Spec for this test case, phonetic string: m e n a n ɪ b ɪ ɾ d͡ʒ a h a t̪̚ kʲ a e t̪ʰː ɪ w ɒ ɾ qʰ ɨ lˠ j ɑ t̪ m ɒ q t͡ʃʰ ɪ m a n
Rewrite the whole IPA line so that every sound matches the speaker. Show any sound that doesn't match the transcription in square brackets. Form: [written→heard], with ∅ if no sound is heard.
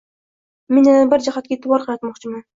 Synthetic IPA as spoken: m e n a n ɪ b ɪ ɾ d͡ʒ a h a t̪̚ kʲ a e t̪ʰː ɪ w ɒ ɾ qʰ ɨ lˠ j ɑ t̪ m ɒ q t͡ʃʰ ɪ m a n